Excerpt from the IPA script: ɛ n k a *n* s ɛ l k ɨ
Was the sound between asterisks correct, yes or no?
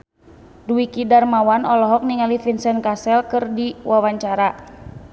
no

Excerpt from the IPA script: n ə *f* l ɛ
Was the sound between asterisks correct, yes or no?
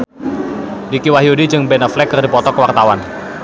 yes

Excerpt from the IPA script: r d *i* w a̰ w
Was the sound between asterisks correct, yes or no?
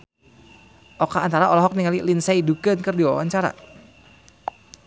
yes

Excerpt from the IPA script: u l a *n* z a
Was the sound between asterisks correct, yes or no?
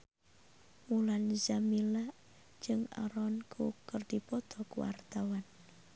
yes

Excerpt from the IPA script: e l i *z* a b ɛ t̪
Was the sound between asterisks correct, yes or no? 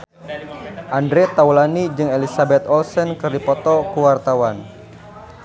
no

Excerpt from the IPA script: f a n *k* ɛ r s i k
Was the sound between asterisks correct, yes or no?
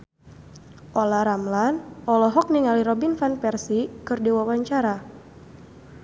no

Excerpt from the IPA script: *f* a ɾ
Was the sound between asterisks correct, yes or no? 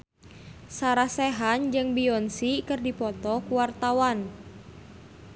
no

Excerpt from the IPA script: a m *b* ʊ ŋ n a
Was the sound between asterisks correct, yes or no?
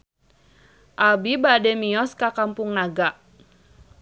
no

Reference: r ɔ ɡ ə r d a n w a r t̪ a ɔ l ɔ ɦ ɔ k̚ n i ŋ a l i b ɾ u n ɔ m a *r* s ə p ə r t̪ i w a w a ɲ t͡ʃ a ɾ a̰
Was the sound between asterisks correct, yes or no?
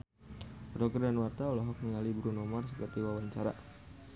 yes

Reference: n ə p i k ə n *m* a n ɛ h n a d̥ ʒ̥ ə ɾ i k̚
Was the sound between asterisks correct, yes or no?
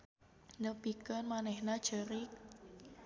yes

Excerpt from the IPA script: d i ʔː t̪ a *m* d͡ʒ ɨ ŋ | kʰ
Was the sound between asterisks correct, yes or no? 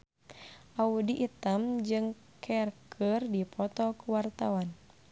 yes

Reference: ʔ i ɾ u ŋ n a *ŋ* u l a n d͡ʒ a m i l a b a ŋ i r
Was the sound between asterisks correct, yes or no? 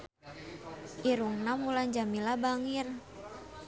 no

